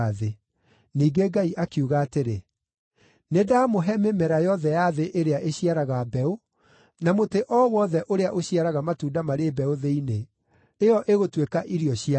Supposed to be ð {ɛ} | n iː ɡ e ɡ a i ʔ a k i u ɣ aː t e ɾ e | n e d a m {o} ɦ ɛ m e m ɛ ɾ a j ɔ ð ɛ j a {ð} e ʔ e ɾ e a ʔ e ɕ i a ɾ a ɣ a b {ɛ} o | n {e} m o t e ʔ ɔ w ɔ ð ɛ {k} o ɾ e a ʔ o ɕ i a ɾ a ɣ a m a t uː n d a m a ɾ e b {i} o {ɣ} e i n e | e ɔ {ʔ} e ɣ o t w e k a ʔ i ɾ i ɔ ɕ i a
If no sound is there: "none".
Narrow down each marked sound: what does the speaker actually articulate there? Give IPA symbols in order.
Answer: e, o, ð, ɛ, a, ʔ, ɛ, ð, ʔ

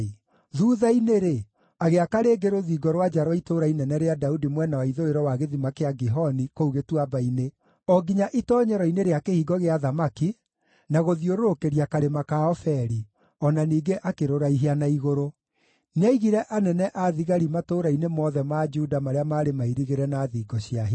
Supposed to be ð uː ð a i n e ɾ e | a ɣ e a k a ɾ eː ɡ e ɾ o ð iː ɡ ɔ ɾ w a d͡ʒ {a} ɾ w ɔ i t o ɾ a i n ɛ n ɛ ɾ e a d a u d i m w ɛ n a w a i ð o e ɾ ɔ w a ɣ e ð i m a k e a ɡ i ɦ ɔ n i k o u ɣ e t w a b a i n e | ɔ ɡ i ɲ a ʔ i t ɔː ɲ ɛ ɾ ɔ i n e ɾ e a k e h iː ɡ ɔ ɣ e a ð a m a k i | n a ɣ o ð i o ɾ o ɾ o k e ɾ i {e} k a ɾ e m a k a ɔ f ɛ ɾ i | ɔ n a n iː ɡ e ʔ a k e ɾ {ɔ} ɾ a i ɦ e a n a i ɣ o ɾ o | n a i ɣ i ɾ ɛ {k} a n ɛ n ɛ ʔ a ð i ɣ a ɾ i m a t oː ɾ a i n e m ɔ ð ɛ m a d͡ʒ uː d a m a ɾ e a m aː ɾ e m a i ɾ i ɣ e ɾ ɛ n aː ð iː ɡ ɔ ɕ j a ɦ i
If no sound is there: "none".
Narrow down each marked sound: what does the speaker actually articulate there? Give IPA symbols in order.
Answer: a, a, o, ʔ

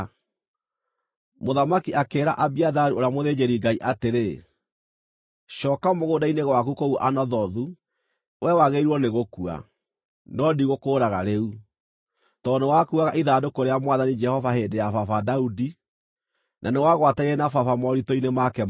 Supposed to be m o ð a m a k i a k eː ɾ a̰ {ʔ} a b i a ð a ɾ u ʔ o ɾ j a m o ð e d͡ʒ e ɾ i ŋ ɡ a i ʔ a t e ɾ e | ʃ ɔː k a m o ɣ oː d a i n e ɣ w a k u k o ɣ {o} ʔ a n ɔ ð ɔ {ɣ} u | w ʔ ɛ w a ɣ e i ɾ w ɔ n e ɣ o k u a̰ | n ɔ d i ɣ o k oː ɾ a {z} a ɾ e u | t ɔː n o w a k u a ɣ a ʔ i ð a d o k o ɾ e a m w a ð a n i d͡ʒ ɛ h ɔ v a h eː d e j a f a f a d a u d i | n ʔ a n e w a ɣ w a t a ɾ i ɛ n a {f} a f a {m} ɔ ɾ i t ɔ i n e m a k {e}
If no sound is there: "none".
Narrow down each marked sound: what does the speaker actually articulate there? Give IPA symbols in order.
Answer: ʔ, u, ð, ɣ, f, m, ɛ

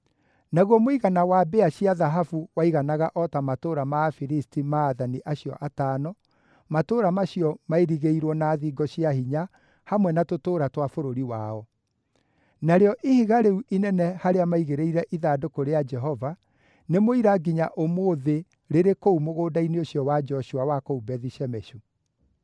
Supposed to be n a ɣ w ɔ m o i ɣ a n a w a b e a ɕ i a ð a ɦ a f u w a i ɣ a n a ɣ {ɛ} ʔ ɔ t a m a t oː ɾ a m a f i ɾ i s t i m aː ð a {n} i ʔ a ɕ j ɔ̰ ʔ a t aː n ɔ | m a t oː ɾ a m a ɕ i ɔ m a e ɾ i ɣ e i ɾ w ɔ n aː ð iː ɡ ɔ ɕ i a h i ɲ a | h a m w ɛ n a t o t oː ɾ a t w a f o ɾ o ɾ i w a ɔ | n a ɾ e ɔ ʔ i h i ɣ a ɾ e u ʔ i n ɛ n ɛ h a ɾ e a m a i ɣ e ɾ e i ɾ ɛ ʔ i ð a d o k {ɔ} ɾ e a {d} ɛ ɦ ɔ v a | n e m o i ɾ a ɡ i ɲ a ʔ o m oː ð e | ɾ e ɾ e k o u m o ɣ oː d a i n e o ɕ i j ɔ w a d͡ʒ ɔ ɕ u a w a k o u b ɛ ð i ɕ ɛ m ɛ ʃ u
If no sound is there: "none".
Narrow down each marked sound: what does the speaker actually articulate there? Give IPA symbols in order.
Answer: a, n, o, d͡ʒ

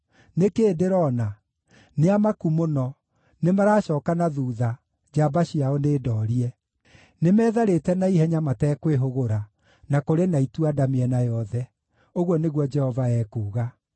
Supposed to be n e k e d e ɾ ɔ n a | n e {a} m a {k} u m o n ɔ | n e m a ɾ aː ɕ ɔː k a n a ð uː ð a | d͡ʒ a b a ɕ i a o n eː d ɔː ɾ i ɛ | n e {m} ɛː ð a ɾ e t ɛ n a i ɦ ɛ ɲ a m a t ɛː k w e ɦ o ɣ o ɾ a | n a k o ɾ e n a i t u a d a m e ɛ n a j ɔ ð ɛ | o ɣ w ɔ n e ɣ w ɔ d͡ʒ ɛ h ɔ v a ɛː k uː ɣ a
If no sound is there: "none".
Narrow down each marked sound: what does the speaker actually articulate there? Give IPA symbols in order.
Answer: a, k, m

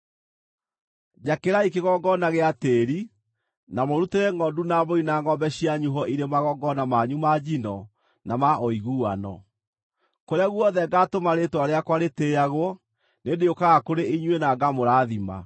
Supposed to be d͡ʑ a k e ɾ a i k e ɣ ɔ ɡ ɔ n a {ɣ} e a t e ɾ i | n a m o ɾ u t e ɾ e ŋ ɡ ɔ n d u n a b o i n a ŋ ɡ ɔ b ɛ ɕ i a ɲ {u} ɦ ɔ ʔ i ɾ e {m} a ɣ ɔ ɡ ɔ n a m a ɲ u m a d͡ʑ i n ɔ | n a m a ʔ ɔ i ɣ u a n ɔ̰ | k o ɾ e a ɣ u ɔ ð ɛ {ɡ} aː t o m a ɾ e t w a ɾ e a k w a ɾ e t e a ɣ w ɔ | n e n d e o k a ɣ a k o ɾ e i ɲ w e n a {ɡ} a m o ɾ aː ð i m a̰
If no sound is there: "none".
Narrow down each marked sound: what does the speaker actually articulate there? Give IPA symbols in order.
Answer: ɣ, u, m, ɡ, ɡ

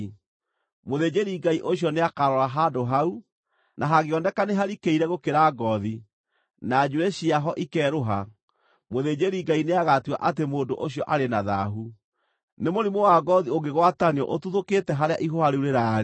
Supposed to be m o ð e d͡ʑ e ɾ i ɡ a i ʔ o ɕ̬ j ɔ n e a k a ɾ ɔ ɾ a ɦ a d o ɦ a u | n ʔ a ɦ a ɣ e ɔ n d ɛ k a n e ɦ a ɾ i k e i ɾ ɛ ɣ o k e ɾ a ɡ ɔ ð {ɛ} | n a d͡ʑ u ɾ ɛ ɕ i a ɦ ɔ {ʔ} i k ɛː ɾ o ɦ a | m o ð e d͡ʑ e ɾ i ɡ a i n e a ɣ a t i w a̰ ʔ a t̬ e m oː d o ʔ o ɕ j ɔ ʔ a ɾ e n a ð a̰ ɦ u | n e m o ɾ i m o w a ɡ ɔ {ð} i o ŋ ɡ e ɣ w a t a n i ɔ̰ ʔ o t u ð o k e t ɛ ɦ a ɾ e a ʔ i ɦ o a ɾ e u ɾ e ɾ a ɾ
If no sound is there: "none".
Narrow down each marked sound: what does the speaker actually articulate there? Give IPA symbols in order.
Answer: i, ʔ, ð

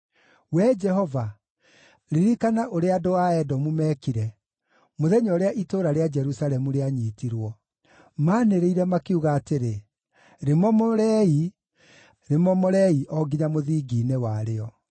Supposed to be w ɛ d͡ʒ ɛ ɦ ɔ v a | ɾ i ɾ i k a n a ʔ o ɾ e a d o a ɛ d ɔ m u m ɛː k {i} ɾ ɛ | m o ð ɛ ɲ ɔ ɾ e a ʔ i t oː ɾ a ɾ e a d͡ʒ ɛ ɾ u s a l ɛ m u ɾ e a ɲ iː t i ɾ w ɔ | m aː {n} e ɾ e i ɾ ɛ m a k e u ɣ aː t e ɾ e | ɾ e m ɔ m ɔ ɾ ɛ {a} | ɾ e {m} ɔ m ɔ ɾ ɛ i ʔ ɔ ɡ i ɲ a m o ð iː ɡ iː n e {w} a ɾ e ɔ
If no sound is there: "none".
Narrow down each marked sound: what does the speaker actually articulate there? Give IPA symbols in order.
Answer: i, n, i, m, w

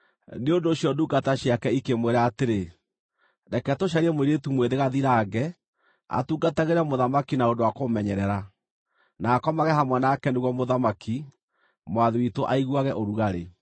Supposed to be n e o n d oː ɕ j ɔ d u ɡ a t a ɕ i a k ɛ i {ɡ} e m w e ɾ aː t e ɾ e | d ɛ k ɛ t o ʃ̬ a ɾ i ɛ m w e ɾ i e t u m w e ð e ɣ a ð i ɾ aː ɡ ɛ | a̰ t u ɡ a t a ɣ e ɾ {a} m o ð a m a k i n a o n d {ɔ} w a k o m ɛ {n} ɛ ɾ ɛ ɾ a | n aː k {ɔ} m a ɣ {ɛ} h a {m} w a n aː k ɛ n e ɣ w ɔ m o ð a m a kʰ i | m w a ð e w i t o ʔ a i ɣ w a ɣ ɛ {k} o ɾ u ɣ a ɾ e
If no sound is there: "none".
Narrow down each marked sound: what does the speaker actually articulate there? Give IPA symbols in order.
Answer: k, ɛ, o, ɲ, ɔ, ɛ, m, ʔ

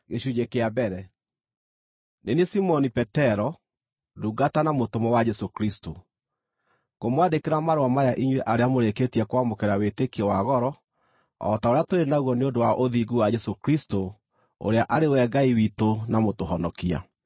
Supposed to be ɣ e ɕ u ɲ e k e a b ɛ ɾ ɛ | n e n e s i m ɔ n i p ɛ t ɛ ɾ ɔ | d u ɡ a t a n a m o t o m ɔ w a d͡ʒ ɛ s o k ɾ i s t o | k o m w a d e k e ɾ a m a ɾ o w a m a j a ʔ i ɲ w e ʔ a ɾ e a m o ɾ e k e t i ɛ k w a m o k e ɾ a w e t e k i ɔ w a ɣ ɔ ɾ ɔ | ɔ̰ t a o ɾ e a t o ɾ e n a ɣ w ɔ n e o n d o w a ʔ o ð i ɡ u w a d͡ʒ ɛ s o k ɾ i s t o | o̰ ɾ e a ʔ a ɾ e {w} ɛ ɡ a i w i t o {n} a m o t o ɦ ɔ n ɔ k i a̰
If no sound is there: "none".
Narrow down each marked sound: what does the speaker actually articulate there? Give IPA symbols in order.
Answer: w, n

